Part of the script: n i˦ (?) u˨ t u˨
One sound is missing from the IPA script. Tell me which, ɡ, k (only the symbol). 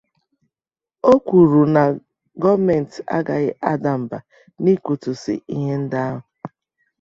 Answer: k